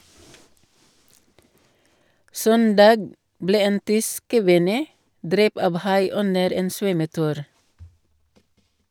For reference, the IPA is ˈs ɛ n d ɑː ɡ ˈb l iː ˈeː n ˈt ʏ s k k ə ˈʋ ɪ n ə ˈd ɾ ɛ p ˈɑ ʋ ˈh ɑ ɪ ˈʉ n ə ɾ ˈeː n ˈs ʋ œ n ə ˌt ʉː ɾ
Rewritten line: ˈs œ n d ɑː ɡ ˈb l eː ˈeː n ˈt ʏ s k k ə ˈʋ ɪ n ə ˈd ɾ ɛ p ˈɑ ʋ ˈh ɑ ɪ ˈʉ n ə ɾ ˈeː n ˈs ʋ œ m ə ˌt ʉː ɾ